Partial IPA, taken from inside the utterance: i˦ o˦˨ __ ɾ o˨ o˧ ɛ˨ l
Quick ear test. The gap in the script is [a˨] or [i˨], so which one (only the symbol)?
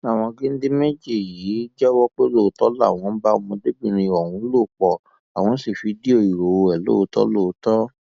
i˨